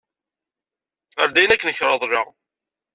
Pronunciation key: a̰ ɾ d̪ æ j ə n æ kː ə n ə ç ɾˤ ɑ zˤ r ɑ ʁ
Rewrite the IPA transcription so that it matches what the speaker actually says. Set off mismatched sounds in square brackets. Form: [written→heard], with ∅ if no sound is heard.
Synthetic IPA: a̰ ɾ d̪ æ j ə n æ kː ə n ə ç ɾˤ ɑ [zˤ→ðˤ] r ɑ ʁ